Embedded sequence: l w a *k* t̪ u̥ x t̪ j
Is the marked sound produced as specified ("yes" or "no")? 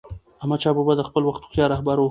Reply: no